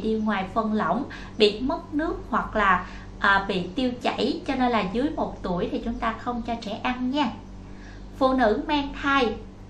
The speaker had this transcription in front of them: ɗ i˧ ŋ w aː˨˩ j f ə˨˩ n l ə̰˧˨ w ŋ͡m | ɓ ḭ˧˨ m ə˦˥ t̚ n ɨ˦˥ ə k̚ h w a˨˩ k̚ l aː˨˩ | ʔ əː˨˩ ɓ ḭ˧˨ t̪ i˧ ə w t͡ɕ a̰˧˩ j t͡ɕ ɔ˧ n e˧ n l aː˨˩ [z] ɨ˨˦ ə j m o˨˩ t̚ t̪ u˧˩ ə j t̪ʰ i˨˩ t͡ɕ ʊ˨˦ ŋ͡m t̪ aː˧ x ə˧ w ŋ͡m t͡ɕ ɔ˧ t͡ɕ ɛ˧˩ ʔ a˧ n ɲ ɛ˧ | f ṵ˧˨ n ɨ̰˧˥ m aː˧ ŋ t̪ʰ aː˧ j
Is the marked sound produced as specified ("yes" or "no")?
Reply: yes